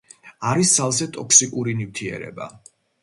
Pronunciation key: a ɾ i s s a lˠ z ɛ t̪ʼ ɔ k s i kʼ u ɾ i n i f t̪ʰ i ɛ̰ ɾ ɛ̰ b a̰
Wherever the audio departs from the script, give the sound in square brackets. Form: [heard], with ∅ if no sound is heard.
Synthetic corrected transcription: a ɾ i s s a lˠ z ɛ t̪ʼ ɔ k s i kʼ u ɾ i n i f t̪ʰ i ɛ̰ ɾ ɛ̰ b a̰